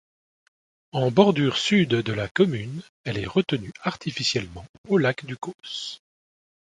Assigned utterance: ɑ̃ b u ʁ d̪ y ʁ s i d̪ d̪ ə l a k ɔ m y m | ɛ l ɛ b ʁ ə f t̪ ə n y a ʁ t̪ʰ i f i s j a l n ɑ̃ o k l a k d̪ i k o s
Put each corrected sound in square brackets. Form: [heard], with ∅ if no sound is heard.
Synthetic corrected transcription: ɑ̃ b [ɔ] ʁ d̪ y ʁ s [y] d̪ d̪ ə l a k ɔ m y [n] | ɛ l ɛ [∅] ʁ ə [∅] t̪ ə n y a ʁ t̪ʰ i f i s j [ɛ] l [m] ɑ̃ o [∅] l a k d̪ [y] k o s